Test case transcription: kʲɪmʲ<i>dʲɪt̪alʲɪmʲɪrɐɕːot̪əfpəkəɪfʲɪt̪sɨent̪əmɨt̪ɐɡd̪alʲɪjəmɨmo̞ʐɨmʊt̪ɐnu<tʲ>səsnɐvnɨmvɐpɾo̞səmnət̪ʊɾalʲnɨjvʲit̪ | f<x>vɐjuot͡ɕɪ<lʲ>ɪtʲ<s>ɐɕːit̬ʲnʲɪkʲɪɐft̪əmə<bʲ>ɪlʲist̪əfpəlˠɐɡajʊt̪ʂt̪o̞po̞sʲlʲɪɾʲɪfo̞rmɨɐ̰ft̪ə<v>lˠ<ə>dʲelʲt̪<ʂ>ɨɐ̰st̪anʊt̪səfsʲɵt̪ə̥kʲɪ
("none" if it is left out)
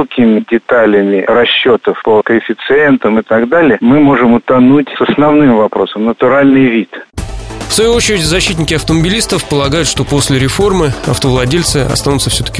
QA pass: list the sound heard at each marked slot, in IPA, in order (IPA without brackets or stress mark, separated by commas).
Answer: ɪ, tʲ, s, ɾʲ, z, bʲ, v, ɐ, s